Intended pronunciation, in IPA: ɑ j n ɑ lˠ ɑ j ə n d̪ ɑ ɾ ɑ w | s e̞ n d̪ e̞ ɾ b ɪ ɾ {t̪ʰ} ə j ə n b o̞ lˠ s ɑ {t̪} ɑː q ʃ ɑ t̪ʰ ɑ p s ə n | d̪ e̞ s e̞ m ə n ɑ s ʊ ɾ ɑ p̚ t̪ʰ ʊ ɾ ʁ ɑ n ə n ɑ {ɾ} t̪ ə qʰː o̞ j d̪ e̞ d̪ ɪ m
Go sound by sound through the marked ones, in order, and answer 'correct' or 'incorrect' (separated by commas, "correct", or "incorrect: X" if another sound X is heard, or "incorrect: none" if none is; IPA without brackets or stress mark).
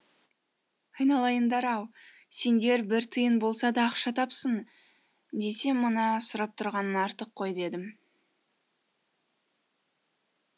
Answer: correct, incorrect: d̪, correct